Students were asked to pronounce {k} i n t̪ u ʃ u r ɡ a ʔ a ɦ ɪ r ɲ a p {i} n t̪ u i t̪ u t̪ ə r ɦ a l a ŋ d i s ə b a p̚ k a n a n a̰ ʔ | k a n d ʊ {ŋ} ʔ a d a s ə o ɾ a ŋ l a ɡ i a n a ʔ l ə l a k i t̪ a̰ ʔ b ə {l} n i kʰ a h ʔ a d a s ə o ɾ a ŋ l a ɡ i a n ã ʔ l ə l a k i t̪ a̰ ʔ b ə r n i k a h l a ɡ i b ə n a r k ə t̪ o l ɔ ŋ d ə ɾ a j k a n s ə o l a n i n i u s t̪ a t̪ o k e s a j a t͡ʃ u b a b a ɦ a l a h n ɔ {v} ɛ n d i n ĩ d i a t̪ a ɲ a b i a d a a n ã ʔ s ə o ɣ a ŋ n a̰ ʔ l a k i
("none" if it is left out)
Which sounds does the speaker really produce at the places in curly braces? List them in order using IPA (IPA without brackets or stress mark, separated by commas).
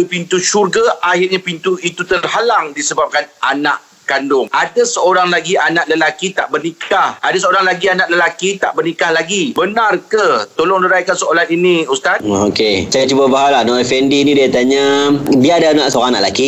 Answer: p, i, ŋ, r, f